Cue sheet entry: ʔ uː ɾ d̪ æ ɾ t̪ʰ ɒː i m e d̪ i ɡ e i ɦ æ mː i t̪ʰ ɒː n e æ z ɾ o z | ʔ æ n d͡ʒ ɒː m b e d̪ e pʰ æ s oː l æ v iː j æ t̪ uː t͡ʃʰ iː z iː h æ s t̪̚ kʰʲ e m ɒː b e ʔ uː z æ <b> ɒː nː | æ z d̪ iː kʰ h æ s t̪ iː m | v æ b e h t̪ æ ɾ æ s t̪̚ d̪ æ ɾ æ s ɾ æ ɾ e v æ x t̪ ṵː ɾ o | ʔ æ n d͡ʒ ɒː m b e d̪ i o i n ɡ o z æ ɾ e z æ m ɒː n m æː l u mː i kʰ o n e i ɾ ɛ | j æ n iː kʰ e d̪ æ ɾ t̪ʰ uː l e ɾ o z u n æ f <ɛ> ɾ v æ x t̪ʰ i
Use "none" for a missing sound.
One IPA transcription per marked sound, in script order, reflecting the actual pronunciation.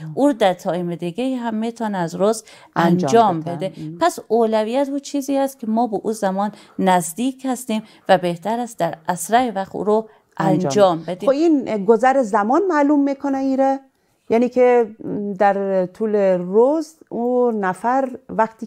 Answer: m, æ

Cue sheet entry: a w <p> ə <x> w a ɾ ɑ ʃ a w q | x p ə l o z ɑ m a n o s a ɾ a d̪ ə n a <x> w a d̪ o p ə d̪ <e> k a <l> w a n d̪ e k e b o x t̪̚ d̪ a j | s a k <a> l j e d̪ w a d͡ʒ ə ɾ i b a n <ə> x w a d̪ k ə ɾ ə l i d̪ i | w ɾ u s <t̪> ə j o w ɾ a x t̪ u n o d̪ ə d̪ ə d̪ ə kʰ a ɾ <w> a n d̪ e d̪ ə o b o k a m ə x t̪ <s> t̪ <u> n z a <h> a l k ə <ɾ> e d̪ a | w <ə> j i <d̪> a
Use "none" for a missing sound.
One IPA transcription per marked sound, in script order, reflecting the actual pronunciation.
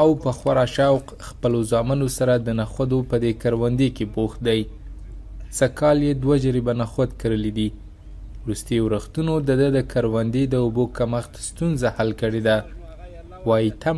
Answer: p, x, x, e, ɾ, ɑ, a, t̪, w, s, u, h, ɽ, ɑ, t̪

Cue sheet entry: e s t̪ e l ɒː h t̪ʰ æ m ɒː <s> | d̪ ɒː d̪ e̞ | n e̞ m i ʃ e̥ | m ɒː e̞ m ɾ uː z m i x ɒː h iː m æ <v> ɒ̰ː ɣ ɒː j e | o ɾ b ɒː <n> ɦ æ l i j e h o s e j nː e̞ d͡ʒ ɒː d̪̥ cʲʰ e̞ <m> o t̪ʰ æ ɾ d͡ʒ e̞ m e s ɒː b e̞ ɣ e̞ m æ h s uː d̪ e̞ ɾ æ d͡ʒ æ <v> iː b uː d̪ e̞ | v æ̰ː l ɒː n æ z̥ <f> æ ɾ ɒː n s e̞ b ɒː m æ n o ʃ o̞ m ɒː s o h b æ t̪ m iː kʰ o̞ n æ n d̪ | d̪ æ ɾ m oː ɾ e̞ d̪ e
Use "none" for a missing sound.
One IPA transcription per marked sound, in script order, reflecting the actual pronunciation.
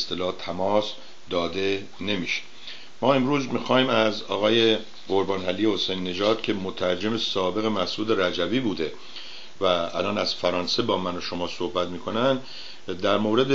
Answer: s, z, n, m, v, f

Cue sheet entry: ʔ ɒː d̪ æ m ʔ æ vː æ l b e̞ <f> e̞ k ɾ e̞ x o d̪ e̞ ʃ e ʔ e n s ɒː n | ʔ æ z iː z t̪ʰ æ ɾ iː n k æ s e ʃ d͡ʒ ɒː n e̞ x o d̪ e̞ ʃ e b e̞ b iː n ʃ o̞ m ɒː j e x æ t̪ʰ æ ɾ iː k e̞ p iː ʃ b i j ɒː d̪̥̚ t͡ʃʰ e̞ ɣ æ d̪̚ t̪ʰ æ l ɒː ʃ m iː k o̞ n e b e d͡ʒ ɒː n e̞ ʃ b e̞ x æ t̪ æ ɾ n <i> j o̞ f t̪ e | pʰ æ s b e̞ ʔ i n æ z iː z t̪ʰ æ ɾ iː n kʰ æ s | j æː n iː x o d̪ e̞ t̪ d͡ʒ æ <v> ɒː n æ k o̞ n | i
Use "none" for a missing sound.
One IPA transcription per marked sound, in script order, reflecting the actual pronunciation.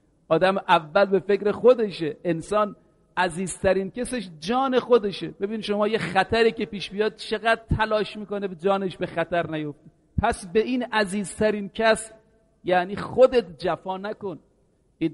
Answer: f, æ, f

